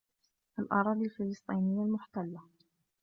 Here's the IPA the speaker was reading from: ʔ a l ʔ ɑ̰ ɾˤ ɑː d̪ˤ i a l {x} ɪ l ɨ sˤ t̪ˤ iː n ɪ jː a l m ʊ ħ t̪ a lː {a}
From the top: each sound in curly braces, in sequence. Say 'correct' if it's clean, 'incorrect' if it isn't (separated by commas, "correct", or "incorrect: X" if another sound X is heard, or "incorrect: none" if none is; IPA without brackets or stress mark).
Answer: incorrect: f, correct